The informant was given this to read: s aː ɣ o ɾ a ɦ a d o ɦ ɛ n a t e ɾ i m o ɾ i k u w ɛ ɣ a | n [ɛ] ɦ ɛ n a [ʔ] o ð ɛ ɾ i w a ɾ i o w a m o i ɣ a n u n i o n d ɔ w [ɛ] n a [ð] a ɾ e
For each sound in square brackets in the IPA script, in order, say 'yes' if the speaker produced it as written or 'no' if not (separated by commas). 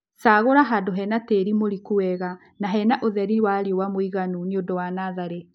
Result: no, yes, no, yes